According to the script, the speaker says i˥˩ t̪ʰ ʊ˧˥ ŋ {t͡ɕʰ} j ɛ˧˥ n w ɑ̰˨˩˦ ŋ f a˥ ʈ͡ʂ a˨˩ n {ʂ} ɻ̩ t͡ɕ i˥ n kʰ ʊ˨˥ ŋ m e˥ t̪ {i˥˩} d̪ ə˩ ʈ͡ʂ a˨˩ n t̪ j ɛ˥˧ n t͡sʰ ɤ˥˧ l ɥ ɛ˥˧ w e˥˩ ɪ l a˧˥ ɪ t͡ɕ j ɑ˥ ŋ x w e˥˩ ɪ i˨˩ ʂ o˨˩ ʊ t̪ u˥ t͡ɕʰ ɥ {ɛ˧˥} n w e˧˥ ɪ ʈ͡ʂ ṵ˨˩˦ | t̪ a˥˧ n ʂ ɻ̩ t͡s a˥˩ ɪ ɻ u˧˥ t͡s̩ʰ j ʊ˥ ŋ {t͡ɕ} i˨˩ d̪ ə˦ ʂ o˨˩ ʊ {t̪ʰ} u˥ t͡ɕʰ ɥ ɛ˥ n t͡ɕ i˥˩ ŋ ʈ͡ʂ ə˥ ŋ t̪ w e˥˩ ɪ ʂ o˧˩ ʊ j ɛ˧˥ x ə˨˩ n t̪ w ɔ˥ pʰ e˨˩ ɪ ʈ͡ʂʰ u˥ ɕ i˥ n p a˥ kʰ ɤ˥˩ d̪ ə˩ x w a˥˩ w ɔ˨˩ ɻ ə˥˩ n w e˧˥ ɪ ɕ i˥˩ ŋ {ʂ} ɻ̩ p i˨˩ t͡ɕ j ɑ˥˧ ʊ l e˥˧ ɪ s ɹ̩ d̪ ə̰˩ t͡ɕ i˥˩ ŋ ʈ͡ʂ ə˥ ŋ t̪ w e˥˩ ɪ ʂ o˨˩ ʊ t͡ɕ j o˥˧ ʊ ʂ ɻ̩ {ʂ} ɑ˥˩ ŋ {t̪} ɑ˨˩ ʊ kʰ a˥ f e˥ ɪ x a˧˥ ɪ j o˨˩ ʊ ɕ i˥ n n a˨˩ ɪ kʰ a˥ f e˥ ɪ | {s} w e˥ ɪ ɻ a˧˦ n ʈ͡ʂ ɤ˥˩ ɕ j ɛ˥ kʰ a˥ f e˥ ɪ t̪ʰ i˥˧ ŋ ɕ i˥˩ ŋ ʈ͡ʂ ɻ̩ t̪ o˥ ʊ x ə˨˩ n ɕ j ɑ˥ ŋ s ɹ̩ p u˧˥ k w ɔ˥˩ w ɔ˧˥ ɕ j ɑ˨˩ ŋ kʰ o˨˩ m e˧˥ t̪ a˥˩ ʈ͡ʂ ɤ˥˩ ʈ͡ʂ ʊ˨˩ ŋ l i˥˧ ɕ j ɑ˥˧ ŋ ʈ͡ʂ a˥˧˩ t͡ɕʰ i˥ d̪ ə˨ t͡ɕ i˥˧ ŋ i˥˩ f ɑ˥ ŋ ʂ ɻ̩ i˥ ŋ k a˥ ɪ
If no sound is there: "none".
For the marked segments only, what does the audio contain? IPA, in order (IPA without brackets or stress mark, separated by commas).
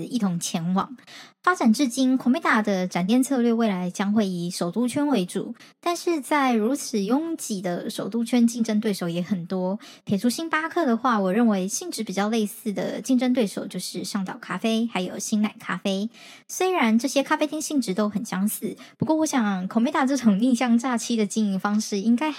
t͡ɕʰ, ʈ͡ʂ, a˥˩, ɛ˥, t͡ɕ, t̪, ʈ͡ʂ, ʂ, t̪, s